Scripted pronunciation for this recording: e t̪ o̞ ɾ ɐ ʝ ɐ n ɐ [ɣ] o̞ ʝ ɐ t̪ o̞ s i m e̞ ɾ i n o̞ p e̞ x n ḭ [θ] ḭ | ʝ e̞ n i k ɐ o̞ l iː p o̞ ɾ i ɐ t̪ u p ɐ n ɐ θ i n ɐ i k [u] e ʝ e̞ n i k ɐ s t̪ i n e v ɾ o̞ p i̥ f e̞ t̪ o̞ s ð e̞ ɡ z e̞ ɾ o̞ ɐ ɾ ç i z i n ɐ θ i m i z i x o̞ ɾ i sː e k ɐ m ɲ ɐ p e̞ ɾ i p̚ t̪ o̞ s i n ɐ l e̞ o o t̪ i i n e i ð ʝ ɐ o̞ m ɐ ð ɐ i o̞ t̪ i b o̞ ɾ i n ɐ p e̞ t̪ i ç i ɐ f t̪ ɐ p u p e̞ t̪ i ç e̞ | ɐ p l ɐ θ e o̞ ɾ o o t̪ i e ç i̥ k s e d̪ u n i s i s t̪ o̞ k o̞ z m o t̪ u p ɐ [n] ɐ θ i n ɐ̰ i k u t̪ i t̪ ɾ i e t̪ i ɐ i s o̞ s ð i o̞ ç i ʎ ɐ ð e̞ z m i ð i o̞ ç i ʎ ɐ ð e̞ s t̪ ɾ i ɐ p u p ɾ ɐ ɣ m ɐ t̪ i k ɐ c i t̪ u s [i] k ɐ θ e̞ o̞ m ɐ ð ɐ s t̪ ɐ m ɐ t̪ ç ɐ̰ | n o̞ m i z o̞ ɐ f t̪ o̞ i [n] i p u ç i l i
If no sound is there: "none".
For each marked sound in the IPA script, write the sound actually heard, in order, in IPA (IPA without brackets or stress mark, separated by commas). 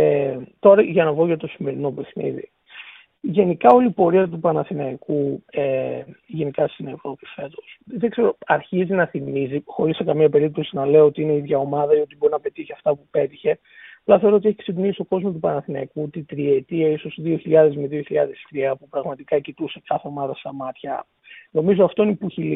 v, ð, u, n, e, n